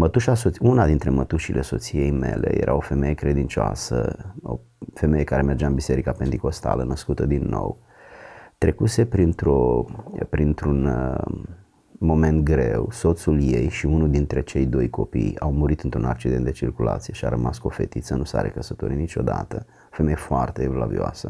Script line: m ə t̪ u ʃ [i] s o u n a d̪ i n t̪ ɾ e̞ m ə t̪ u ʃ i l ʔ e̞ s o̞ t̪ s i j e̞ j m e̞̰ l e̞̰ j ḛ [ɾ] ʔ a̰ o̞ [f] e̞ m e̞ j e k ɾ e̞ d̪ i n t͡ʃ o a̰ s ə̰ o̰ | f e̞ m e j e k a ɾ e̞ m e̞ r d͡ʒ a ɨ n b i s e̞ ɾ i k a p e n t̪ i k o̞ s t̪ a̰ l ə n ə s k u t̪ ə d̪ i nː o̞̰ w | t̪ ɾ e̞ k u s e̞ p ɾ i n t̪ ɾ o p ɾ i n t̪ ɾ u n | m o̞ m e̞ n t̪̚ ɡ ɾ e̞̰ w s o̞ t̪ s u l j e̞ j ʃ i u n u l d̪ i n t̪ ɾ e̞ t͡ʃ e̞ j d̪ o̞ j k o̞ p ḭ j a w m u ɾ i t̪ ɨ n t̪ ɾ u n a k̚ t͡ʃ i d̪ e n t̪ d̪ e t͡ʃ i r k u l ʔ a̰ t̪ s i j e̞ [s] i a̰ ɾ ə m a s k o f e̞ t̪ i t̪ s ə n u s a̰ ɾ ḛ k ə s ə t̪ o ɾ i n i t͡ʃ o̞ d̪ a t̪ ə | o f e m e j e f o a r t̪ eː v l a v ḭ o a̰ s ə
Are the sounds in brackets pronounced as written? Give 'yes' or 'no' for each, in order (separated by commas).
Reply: no, yes, yes, no